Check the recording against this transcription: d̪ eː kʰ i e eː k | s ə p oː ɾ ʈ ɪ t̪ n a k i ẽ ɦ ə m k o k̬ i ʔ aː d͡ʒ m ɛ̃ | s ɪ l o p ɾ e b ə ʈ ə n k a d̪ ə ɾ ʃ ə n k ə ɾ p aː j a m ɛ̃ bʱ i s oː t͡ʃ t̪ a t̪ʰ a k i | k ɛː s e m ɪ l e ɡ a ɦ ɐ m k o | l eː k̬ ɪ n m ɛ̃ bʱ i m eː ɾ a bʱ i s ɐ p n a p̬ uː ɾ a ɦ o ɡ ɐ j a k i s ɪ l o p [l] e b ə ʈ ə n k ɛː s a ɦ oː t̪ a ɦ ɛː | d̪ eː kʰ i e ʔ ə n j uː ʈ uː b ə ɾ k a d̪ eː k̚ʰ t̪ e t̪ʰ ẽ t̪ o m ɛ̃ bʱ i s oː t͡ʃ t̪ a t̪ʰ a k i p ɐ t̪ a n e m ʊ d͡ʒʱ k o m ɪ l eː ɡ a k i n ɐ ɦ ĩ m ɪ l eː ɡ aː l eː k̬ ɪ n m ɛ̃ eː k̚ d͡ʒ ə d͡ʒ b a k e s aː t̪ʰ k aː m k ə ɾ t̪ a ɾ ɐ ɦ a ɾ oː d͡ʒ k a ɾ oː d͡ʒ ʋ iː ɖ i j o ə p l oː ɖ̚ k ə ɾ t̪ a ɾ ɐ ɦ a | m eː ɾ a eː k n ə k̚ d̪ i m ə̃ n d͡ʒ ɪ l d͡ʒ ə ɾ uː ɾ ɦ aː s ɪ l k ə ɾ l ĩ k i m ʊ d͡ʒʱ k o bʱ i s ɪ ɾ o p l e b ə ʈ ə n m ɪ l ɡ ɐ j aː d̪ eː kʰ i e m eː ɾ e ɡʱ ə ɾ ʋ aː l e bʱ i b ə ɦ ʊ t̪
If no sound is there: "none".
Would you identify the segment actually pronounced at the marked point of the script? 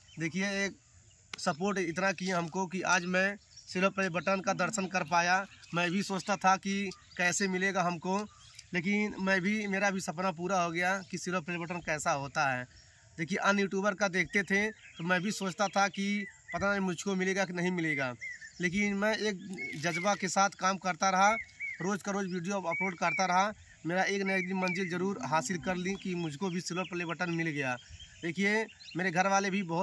ɾ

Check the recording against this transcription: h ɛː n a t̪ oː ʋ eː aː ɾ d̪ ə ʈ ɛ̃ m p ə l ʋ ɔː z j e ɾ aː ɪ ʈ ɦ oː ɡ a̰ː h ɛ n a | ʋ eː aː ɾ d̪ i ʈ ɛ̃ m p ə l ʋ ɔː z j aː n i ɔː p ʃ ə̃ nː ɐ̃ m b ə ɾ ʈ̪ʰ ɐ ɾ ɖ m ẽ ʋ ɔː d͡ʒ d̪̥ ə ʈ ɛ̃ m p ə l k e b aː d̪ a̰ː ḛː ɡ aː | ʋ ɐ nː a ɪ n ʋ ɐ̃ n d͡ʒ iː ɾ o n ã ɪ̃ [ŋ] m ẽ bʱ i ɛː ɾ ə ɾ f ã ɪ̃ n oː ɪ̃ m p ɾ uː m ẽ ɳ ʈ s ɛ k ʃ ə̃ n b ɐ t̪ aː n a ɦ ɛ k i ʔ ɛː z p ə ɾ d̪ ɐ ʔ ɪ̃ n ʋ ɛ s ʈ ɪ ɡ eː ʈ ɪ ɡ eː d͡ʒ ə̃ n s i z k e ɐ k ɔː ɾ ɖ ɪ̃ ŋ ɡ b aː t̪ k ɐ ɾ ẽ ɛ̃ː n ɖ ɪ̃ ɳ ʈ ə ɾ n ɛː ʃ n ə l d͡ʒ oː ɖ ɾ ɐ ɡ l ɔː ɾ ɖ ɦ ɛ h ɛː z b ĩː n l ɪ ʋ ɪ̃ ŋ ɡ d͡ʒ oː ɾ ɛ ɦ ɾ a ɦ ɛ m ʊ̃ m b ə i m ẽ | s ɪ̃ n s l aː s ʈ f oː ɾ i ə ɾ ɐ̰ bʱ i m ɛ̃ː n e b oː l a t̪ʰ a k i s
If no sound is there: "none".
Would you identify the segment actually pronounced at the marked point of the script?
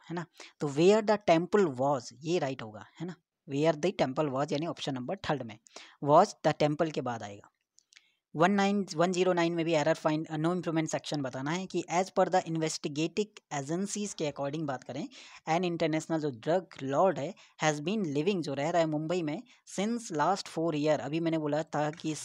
n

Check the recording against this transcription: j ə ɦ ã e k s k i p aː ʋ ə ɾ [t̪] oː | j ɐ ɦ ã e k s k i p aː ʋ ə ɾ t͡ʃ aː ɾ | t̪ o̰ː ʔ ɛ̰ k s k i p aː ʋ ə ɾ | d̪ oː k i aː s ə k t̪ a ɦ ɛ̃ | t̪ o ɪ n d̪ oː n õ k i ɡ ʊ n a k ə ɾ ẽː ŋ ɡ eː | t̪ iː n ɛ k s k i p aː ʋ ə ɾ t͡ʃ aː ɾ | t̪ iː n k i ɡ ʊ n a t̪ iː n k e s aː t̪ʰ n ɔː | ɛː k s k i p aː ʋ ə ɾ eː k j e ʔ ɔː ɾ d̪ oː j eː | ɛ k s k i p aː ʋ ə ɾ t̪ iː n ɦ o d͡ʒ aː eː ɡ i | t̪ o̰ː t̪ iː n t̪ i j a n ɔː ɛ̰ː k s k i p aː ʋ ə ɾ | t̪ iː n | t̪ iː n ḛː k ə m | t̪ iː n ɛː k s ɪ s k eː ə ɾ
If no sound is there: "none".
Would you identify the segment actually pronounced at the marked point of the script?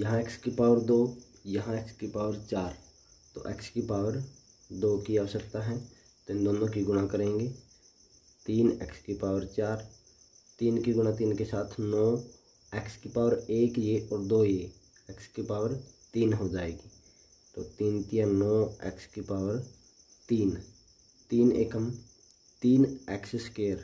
d̪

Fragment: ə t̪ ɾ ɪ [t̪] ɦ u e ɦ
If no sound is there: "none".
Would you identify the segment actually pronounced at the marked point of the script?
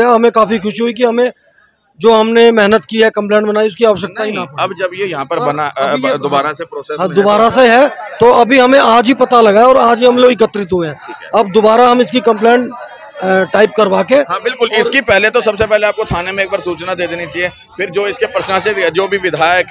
t̪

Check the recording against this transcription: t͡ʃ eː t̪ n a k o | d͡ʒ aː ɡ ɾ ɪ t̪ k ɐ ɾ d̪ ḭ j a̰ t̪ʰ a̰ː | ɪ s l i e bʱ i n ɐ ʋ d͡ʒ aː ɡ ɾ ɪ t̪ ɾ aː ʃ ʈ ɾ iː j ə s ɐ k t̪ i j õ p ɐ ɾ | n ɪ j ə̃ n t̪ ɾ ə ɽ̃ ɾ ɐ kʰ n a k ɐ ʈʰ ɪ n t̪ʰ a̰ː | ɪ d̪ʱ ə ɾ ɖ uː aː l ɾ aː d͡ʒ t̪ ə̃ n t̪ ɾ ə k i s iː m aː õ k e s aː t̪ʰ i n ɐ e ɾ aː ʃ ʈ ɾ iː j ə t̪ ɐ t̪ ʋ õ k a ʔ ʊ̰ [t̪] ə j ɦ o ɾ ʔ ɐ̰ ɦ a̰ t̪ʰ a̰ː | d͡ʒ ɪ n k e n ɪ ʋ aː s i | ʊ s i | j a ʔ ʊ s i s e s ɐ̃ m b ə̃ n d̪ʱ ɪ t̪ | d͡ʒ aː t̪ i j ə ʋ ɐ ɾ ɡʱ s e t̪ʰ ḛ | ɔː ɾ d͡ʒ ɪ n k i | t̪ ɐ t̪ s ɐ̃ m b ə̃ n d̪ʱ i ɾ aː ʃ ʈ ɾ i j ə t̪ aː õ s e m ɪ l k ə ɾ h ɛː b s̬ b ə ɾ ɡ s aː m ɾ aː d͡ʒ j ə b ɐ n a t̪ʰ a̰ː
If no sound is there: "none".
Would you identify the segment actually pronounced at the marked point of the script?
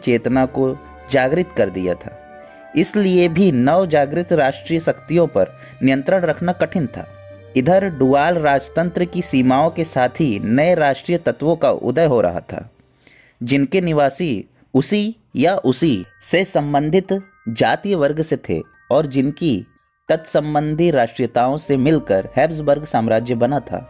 d̪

